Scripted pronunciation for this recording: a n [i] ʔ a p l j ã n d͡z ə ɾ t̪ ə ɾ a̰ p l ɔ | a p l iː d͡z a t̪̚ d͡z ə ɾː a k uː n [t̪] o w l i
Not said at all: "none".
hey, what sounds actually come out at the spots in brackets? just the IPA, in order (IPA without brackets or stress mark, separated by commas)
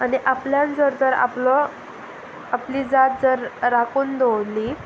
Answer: i, d̪